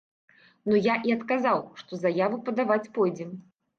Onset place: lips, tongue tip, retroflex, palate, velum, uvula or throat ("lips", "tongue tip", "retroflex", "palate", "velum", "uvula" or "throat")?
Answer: tongue tip